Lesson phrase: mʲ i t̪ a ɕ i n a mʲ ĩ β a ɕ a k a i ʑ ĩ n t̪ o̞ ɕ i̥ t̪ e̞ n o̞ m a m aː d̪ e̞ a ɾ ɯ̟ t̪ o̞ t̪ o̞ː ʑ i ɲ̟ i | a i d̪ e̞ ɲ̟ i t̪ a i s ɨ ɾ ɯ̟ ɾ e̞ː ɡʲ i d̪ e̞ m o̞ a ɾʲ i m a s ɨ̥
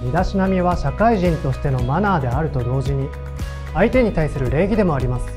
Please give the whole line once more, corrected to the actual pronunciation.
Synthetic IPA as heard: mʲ i d̪ a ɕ i n a mʲ i β a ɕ a k a i ʑ ĩ n t̪ o̞ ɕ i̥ t̪ e̞ n o̞ m a n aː d̪ e̞ a ɾ ɯ̟ t̪ o̞ d̪ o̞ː ʑ i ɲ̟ i | a i t̪ e̞ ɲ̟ i t̪ a i s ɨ ɾ ɯ̟ ɾ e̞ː ɡʲ i d̪ e̞ m o̞ a ɾʲ i m a s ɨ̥

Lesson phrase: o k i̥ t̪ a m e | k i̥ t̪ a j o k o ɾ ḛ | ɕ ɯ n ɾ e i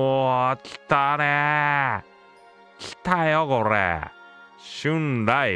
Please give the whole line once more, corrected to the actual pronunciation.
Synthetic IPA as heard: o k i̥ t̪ a n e | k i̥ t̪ a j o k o ɾ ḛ | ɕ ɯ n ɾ a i

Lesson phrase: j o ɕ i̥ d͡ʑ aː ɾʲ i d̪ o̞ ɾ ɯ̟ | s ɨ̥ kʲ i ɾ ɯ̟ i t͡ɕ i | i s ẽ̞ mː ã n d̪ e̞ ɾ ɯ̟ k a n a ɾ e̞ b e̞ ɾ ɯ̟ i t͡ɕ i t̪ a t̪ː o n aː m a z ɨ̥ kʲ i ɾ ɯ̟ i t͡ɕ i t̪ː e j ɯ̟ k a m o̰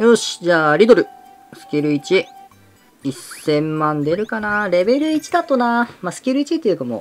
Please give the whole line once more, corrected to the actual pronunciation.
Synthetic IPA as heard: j o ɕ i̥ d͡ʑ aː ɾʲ i d̪ o̞ ɾ ɯ̟ | s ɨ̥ kʲ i ɾ ɯ̟ i t͡ɕ i | i s ẽ̞ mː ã n d̪ e̞ ɾ ɯ̟ k a n a ɾ e̞ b e̞ ɾ ɯ̟ i t͡ɕ i d̪ a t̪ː o n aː m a s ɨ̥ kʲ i ɾ ɯ̟ i t͡ɕ i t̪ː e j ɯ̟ k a m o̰

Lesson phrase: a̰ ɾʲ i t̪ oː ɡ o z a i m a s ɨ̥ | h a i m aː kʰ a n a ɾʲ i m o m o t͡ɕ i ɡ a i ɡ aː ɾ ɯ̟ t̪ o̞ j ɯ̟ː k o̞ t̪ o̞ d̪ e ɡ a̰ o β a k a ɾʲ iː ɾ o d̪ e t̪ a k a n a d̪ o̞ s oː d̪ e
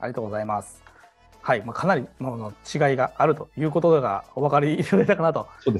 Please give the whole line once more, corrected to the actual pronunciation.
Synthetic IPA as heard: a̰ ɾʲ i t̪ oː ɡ o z a i m a s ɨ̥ | h a i m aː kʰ a n a ɾʲ i m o n o t͡ɕ i ɡ a i ɡ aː ɾ ɯ̟ t̪ o̞ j ɯ̟ː k o̞ t̪ o̞ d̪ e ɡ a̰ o β a k a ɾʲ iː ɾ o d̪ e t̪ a k a n a t̪ o̞ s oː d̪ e

